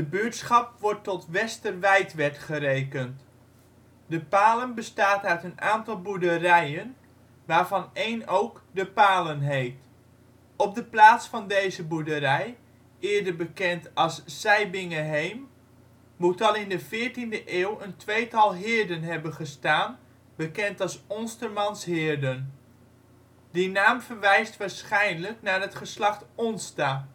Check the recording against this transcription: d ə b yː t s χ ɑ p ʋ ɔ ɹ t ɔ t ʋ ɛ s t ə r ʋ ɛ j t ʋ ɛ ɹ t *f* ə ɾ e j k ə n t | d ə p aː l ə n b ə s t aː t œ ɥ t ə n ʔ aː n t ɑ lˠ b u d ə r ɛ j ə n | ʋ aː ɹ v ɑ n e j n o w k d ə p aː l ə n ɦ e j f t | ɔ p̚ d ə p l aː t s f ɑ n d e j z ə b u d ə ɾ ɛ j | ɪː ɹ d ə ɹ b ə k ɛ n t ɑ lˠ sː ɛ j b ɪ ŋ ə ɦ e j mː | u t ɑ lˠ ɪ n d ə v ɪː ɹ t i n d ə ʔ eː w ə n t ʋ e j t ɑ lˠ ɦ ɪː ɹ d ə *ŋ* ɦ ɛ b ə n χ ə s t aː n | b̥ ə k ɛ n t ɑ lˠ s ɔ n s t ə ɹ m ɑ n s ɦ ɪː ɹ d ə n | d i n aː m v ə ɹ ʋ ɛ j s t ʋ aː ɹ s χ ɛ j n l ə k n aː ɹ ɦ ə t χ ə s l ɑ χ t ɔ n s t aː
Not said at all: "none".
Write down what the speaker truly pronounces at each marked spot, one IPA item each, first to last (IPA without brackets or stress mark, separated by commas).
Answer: χ, n